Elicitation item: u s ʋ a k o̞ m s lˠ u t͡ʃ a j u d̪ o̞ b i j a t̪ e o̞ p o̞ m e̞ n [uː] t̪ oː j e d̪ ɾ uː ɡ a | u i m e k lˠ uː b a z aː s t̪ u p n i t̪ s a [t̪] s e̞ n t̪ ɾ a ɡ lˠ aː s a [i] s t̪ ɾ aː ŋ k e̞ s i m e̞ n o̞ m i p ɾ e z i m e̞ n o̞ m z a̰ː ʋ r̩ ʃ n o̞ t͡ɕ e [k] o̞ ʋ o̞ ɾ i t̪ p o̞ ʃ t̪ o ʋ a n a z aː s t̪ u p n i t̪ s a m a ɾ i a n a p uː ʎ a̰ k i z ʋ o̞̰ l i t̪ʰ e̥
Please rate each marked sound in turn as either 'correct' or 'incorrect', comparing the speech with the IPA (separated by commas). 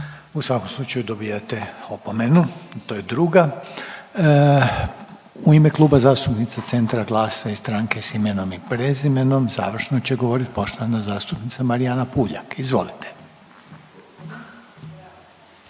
incorrect, correct, correct, incorrect